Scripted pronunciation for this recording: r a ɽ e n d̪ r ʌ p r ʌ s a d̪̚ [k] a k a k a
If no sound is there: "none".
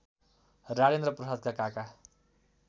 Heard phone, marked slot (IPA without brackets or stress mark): k